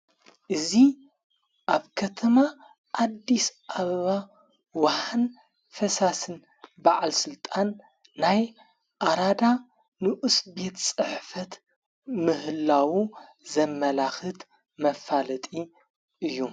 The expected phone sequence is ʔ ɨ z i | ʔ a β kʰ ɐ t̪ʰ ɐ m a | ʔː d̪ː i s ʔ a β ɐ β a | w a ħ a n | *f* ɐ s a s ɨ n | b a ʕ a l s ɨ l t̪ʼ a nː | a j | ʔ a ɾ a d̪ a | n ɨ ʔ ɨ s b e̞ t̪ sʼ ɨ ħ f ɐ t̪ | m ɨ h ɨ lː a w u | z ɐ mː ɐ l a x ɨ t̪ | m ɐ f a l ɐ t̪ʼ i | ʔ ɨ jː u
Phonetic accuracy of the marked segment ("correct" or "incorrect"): correct